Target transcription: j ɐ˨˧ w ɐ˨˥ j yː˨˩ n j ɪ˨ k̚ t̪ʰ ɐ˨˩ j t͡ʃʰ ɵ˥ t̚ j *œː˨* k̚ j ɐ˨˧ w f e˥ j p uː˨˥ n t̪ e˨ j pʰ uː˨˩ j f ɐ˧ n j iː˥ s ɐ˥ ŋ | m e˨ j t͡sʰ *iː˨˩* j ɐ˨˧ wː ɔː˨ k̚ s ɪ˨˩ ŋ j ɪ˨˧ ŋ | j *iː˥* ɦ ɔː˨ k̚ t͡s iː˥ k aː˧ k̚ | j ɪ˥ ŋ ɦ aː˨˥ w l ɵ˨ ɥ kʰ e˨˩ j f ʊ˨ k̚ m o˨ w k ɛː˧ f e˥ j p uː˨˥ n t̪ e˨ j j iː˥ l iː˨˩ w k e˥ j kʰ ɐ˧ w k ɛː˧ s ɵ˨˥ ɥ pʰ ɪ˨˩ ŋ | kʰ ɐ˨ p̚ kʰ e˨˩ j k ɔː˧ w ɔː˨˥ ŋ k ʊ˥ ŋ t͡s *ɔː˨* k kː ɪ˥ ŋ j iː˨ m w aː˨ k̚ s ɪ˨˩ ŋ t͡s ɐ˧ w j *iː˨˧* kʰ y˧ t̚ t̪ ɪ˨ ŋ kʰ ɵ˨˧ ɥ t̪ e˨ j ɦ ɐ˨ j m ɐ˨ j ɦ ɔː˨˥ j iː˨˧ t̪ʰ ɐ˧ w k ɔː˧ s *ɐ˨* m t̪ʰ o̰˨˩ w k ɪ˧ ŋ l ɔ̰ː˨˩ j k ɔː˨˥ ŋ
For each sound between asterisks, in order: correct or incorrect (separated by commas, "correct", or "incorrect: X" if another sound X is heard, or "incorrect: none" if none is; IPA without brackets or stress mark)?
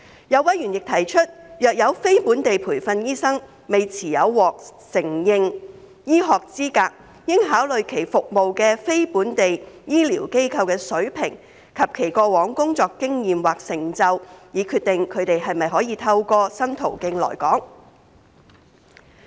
correct, correct, correct, correct, correct, incorrect: ɐ˥